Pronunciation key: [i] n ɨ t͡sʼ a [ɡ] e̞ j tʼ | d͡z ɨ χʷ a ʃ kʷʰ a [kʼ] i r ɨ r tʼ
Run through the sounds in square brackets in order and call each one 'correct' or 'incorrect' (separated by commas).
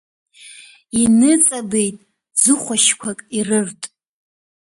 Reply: correct, incorrect, correct